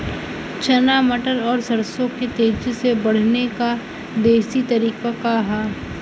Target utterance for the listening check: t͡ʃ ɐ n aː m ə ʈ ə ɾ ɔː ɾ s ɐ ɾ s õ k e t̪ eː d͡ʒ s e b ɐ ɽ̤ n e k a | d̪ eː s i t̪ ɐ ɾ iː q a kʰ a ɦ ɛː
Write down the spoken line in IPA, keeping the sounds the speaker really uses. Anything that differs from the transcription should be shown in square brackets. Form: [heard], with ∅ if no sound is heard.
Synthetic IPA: t͡ʃ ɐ n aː m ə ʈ ə ɾ ɔː ɾ s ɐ ɾ s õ k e t̪ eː d͡ʒ s e b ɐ ɽ̤ n e k a | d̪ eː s i t̪ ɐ ɾ iː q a [k] a ɦ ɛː